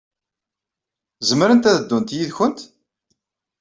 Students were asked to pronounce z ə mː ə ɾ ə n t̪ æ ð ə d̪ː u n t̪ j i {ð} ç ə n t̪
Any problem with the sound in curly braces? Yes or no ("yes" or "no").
no